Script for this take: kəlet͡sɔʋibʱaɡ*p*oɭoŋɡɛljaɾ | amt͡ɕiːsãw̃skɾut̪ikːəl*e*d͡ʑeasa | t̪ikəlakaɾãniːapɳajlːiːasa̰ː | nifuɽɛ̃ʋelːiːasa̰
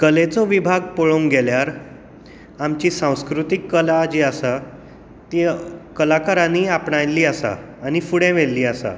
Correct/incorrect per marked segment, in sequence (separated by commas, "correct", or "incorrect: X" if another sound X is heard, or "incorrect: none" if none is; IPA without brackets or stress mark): correct, incorrect: a